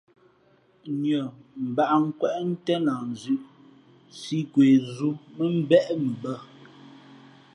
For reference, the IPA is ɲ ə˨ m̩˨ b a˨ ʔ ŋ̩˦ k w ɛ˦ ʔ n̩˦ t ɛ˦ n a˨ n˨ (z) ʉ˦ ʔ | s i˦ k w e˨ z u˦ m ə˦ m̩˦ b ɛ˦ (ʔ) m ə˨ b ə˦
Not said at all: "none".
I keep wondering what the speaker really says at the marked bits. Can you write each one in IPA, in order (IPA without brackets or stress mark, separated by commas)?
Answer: z, ʔ